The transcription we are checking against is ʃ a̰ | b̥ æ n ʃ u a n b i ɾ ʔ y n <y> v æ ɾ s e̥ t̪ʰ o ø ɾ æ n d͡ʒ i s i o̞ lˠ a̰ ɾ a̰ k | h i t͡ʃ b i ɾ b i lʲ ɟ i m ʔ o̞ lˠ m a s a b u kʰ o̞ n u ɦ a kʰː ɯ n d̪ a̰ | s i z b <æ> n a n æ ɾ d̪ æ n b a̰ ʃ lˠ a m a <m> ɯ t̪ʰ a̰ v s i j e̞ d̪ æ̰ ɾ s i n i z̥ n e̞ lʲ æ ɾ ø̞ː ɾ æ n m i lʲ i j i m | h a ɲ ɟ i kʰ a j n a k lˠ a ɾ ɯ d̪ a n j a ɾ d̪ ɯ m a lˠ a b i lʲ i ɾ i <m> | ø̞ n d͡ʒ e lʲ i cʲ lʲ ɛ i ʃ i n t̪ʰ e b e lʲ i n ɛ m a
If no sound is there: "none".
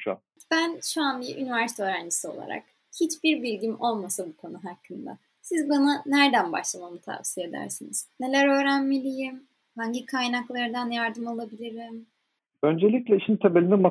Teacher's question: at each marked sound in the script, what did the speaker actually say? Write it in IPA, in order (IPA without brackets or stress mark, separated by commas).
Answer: i, a, m, m